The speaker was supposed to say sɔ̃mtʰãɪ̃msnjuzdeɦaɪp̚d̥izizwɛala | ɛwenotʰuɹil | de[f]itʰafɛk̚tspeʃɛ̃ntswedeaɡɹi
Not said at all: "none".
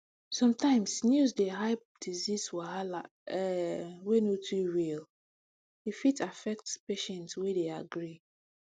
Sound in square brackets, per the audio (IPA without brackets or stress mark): f